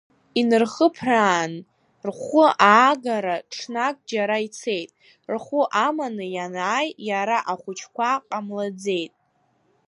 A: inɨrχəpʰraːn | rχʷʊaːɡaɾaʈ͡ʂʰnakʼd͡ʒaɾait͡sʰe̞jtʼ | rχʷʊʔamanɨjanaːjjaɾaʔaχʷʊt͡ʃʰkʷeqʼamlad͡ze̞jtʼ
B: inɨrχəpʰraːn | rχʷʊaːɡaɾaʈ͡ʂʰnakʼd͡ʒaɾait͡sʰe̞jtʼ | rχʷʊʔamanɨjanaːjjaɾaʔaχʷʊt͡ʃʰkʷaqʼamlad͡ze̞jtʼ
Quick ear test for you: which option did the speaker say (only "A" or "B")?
B